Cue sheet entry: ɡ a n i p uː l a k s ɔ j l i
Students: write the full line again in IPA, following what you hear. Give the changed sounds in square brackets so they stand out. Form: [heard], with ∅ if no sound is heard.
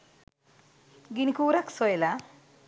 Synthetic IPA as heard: ɡ [i] n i [k] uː [ɾ] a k s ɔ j l [a]